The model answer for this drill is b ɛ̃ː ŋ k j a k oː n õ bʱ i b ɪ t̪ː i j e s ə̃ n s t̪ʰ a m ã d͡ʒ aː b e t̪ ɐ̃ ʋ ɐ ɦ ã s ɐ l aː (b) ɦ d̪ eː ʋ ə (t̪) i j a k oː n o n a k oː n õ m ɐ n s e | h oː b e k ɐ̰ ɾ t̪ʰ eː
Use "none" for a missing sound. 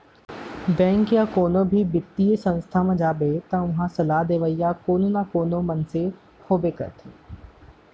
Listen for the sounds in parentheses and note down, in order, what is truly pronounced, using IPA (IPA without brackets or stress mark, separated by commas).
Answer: none, none